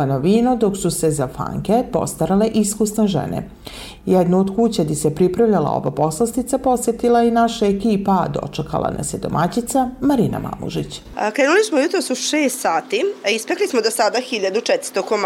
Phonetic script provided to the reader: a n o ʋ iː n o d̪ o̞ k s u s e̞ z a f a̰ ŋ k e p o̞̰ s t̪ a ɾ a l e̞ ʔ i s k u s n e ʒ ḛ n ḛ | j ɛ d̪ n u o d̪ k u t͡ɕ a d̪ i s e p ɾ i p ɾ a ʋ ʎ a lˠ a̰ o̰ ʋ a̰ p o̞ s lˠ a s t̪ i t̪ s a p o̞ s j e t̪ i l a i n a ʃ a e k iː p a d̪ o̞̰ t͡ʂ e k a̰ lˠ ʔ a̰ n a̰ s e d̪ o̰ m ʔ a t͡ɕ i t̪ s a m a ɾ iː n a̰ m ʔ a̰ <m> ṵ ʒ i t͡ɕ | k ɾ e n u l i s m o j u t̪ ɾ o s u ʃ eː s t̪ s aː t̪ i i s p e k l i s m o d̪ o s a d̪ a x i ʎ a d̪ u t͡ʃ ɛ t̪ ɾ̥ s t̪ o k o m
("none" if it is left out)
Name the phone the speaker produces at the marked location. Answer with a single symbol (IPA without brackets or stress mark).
m